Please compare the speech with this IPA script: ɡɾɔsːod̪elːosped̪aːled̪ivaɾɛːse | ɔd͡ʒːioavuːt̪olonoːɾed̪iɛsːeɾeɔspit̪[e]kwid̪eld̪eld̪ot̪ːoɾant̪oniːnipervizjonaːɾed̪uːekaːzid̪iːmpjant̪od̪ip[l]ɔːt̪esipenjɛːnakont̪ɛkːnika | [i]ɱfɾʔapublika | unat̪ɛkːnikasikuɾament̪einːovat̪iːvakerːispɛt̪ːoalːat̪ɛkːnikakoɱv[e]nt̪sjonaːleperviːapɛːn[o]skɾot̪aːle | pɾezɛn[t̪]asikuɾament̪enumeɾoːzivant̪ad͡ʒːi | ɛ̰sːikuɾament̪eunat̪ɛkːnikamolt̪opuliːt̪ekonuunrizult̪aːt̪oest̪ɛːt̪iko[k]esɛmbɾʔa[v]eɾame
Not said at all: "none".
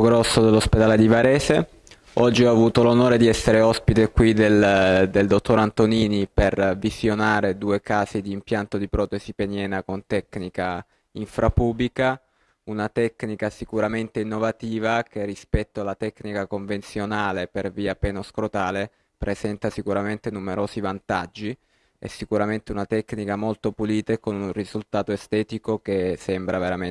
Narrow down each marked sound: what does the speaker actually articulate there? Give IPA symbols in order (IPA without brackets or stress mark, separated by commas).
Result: e, ɾ, i, e, o, t̪, k, v